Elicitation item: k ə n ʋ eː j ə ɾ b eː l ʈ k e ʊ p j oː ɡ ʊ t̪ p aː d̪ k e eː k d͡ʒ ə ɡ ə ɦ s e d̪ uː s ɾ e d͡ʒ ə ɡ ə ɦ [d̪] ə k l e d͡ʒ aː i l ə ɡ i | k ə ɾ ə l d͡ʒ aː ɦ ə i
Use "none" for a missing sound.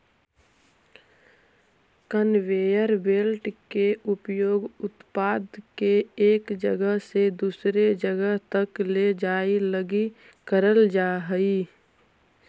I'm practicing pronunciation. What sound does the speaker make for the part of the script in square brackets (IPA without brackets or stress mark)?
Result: t̪